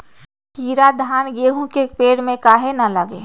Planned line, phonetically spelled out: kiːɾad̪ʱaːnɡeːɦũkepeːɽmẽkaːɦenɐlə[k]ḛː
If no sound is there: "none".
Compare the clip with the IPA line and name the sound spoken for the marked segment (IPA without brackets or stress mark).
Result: ɡ